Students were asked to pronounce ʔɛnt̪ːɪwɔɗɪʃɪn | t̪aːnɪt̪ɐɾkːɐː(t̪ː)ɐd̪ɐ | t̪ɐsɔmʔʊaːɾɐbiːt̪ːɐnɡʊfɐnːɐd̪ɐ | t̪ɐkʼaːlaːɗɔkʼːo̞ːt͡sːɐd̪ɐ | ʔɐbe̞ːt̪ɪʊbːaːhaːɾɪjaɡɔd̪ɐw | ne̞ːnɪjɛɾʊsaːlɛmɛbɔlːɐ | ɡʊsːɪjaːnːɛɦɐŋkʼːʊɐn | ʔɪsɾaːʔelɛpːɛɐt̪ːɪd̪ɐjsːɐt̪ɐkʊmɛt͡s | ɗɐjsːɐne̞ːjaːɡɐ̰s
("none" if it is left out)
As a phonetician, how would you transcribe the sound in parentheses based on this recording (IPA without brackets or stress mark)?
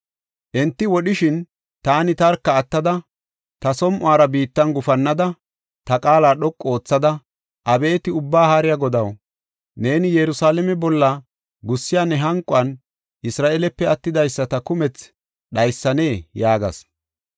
t̪ː